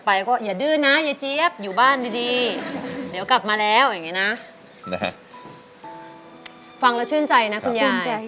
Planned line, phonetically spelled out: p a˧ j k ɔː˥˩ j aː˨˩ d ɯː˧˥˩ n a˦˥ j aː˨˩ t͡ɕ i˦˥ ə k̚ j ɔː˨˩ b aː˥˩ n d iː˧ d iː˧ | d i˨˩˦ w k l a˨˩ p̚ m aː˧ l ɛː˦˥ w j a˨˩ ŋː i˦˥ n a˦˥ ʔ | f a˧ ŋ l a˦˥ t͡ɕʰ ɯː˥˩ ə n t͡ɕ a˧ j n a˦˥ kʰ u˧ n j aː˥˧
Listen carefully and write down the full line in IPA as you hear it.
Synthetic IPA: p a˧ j k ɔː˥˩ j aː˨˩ d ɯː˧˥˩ n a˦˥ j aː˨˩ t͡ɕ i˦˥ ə p̚ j uː˨˩ b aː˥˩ n d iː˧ d iː˧ | d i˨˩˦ w k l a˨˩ p̚ m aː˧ l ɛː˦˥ w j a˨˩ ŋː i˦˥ n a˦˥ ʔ | f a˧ ŋ l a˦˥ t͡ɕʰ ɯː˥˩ ə n t͡ɕ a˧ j n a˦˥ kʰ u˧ n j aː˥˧